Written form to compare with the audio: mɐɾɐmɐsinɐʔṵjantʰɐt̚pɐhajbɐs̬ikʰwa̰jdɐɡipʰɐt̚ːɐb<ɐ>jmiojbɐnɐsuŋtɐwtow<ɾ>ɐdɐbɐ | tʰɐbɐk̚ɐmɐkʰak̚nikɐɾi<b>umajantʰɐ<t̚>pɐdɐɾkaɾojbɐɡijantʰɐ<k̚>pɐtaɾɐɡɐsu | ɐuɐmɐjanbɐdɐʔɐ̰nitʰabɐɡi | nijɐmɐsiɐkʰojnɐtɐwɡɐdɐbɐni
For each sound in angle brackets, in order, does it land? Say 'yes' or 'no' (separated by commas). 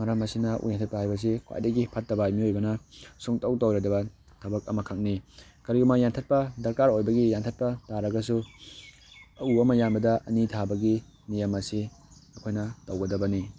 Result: no, yes, no, yes, no